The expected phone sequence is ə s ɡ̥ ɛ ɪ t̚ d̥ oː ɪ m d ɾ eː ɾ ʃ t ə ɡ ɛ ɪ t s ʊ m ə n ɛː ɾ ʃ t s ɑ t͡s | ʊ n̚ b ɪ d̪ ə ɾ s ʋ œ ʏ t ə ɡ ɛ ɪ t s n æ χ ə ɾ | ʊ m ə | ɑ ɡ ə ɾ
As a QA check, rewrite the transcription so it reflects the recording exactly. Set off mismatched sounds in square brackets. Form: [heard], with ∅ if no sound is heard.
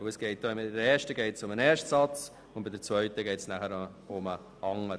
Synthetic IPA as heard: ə s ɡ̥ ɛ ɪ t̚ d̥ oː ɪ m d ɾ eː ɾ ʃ t ə ɡ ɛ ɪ t s ʊ m ə n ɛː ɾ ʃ t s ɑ t͡s | ʊ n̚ b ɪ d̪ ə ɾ [t͡s] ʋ œ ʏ t ə ɡ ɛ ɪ t s n æ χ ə ɾ | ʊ m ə | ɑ [ŋ] ə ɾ

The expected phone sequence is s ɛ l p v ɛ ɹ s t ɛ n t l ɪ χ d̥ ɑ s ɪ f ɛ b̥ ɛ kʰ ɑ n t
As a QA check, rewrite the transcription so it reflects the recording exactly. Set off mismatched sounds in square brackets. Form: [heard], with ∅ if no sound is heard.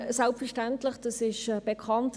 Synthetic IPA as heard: s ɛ l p [f] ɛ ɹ [ʃ] t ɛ n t l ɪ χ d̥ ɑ s ɪ [ʃ] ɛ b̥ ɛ kʰ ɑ n t

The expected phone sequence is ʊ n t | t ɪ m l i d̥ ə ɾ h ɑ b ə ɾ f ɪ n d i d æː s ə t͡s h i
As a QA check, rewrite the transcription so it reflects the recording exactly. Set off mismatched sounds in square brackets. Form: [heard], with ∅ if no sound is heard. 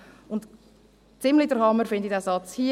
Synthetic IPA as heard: ʊ n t | [t͡s] ɪ m l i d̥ ə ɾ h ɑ [m] ə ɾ f ɪ n d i d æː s [ɑ] t͡s h i

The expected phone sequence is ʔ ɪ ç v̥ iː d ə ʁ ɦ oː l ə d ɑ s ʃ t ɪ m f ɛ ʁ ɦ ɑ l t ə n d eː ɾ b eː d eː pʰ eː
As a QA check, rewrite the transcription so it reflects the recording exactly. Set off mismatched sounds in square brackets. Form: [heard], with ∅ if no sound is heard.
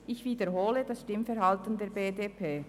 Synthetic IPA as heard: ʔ ɪ ç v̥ iː d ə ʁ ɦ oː l ə d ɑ s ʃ t ɪ m f ɛ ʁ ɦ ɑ l t ə n d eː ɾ b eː d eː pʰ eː

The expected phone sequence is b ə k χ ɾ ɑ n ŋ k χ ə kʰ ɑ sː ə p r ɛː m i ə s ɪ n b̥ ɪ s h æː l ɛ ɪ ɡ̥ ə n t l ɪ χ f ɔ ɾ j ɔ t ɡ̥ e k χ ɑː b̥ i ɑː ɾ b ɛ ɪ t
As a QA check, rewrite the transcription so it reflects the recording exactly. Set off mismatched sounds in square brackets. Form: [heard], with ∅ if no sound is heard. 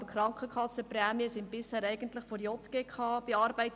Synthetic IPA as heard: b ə k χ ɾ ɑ [∅] ŋ k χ ə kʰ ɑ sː ə p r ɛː m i ə s ɪ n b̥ ɪ s h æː [ɾ] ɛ ɪ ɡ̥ ə n t l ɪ χ f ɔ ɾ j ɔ t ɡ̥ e k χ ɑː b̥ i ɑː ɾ b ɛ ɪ t

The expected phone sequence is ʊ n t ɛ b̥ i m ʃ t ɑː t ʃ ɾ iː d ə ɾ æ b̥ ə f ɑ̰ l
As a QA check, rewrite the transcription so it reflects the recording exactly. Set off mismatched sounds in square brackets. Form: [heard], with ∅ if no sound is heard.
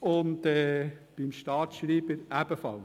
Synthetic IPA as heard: ʊ n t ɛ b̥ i m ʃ t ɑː t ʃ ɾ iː [b] ə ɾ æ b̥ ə f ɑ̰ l

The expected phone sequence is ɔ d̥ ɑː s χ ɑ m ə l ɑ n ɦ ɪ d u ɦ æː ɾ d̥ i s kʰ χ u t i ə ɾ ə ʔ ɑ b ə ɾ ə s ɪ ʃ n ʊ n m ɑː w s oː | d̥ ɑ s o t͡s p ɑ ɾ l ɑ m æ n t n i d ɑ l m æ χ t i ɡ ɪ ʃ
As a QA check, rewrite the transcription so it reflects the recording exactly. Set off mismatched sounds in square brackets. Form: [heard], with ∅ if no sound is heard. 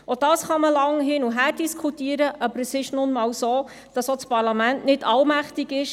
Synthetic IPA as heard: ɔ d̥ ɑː s χ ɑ m ə l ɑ [ŋ] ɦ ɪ [n] u ɦ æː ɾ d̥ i s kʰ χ u t i ə ɾ ə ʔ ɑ b ə ɾ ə s ɪ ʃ n ʊ n m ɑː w s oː | d̥ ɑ s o t͡s p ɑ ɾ l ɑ m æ n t n [ɪ] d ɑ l m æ χ t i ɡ ɪ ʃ

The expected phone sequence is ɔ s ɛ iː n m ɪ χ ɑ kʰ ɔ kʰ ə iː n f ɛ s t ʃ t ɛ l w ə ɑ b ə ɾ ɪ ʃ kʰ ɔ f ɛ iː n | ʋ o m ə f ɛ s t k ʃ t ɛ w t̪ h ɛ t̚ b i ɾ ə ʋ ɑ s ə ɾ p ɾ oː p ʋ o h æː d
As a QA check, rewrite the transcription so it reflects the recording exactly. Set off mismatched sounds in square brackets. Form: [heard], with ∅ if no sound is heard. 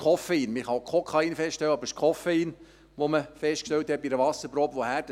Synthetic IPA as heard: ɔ [f] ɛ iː n m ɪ χ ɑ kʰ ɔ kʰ [ɑ] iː n f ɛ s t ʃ t ɛ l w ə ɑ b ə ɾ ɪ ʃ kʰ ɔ f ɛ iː n | ʋ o m ə f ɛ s t k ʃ t ɛ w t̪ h ɛ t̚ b i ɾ ə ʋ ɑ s ə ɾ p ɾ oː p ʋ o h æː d

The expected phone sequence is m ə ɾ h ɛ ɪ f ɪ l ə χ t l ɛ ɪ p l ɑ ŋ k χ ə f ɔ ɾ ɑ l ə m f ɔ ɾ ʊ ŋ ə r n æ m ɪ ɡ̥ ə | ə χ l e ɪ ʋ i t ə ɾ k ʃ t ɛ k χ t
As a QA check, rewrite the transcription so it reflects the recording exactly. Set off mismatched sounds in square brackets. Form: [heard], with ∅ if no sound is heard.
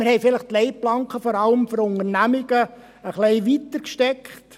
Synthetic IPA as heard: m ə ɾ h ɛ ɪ f ɪ l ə χ t l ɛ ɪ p l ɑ ŋ k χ ə f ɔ ɾ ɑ l ə m f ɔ ɾ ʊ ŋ ə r n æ m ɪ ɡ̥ ə | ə χ l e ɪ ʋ i t ə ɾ k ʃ t ɛ k χ t

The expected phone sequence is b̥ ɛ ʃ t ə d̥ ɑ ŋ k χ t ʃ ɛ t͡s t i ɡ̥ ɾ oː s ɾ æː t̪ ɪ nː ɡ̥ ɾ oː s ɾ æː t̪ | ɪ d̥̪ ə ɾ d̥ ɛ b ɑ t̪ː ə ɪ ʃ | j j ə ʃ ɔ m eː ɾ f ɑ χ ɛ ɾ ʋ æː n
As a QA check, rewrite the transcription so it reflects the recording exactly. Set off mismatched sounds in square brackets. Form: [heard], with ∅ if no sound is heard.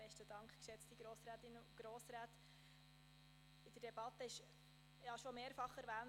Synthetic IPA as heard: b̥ ɛ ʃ t ə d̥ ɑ ŋ k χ [k] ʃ ɛ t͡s t i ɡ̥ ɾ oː s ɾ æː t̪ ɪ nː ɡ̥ ɾ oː s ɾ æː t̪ | ɪ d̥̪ ə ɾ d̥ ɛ b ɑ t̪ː ə ɪ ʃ | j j [ɑ] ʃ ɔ m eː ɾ f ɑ χ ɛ ɾ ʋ æː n

